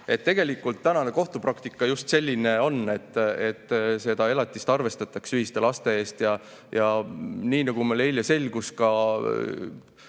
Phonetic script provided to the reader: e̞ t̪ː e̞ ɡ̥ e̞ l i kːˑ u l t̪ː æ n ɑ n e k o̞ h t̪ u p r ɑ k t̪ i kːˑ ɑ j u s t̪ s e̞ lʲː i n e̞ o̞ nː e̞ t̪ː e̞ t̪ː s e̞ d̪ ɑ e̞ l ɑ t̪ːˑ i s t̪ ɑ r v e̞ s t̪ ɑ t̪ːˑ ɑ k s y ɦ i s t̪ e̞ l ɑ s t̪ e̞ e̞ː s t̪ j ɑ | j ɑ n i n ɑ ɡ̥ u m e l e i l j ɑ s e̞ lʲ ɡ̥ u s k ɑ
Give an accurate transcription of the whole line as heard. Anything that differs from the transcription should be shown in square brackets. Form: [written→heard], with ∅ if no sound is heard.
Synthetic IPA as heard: e̞ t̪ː e̞ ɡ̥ e̞ l i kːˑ u l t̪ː æ n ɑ n e k o̞ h t̪ u p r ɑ k t̪ i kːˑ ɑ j u s t̪ s e̞ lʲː i n e̞ o̞ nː e̞ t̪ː e̞ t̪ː s e̞ d̪ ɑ e̞ l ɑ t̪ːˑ i s t̪ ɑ r v e̞ s t̪ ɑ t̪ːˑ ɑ k s y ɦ i s t̪ e̞ l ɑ s t̪ e̞ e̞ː s t̪ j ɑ | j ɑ n [i→iː] n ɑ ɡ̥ u m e l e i l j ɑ s e̞ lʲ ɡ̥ u s k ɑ